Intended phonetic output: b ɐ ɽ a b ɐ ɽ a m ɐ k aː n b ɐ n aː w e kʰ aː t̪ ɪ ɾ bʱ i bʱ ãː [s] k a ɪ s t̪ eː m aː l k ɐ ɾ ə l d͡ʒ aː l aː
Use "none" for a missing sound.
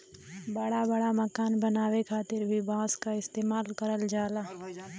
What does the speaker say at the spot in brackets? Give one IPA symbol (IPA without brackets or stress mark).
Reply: s